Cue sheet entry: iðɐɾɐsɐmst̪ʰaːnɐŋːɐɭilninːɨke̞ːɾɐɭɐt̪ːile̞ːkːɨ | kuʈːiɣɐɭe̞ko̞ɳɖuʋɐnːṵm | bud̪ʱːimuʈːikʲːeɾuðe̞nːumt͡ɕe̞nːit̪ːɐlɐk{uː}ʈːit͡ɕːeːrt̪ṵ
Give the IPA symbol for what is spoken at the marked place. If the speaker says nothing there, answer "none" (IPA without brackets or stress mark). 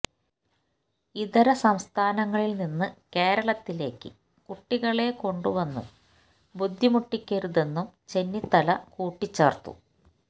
uː